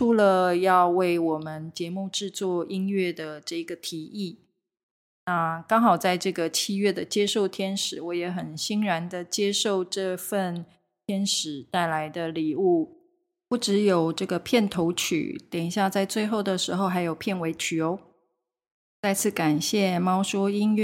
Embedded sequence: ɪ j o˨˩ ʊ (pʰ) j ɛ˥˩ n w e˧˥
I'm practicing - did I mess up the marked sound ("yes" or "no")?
no